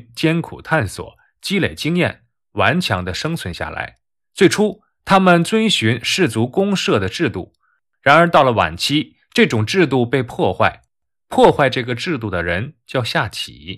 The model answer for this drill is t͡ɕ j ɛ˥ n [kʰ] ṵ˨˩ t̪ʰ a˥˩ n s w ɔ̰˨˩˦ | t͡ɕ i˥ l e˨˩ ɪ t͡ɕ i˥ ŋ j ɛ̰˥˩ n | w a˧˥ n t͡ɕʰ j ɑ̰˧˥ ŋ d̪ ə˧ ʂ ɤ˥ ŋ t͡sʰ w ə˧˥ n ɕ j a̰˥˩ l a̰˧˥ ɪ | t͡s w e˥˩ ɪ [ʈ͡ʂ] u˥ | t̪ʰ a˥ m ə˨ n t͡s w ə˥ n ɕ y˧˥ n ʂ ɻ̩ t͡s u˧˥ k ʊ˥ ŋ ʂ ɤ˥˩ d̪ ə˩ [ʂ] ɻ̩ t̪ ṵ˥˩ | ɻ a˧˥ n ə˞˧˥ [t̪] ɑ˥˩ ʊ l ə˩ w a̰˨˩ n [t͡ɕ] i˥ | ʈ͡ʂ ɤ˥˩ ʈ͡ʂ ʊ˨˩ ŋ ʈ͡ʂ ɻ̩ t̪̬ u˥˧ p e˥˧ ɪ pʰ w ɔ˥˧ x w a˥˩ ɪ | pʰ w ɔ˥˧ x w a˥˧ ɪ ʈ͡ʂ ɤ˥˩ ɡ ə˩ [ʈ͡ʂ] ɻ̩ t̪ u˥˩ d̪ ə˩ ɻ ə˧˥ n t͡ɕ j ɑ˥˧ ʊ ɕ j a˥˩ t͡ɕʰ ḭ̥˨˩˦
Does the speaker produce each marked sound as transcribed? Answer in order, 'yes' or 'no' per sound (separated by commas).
yes, no, no, yes, no, yes